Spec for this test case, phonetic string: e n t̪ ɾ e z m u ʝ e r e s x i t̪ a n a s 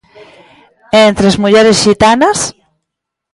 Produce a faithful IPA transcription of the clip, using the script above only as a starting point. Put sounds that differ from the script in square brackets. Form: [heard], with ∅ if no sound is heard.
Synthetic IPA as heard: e n t̪ ɾ e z m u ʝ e [ɾ] e s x i t̪ a n a s